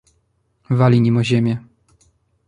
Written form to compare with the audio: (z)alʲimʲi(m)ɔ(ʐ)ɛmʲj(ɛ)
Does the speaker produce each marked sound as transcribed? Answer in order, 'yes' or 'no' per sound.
no, yes, no, yes

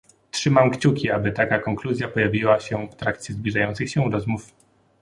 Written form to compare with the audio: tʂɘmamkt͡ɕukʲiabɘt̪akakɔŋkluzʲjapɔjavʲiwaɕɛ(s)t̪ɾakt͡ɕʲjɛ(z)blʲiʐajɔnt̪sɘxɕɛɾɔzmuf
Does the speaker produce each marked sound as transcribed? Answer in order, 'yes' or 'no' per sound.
no, yes

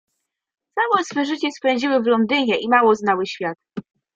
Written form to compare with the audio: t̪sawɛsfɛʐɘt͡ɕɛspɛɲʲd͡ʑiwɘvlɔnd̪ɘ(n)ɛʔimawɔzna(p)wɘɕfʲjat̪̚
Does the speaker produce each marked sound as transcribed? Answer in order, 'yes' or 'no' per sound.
no, no

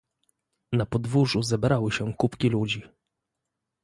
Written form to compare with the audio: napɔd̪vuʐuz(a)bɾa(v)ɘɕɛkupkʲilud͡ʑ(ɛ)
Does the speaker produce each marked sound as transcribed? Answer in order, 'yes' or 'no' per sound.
no, no, no

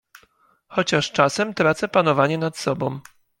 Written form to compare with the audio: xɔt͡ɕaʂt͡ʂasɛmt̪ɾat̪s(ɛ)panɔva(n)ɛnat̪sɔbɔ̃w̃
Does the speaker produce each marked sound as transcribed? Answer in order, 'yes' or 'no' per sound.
yes, no

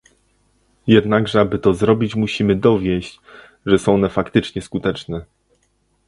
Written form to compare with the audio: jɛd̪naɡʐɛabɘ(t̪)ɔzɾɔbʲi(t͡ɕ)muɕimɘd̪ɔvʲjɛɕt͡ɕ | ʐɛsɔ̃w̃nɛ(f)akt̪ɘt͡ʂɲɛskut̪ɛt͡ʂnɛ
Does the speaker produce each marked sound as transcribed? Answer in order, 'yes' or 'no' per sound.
yes, yes, yes

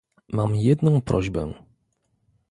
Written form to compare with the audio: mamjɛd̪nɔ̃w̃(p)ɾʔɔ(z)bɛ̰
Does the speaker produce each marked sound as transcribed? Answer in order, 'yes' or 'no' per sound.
yes, no

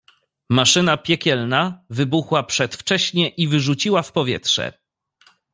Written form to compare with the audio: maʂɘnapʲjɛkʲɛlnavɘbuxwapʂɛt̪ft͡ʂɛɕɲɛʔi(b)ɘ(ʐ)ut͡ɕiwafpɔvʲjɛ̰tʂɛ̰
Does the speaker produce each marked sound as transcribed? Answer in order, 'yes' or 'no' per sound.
no, yes

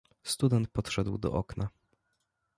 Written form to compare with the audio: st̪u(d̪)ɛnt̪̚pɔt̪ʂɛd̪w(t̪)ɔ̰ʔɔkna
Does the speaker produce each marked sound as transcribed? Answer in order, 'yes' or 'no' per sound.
yes, no

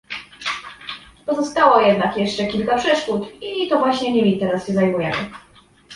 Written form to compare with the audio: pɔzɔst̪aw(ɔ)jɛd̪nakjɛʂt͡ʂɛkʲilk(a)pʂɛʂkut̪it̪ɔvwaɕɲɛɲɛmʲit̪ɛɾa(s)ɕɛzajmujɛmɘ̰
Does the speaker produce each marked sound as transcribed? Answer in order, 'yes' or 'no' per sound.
yes, yes, yes

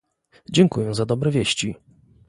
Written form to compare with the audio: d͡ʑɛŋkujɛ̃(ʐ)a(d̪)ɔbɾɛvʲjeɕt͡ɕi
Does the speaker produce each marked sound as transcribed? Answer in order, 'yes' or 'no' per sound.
no, yes

